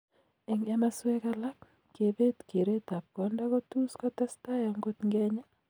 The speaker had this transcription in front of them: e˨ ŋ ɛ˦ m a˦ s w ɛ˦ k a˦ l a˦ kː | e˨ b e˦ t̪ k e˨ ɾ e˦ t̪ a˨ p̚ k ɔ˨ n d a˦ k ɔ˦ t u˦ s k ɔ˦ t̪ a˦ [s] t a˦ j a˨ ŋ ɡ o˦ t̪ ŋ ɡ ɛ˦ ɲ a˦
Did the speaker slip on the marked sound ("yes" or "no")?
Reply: no